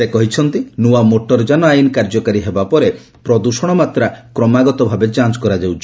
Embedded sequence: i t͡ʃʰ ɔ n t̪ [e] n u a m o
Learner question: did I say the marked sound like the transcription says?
no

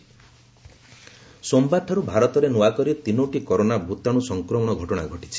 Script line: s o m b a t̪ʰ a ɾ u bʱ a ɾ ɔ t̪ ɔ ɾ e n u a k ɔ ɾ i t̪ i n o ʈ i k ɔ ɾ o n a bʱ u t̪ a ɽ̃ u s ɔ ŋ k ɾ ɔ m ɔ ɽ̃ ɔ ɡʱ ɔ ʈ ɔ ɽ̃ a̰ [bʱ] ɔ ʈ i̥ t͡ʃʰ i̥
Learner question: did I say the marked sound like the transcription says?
no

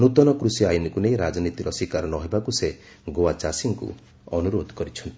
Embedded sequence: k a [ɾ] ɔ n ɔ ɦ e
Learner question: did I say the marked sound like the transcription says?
yes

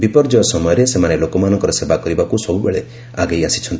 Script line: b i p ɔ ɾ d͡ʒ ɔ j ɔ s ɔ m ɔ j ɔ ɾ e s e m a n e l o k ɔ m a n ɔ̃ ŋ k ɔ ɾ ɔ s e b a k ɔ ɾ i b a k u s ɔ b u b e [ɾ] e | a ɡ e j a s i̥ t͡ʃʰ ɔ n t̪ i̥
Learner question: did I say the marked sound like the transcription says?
no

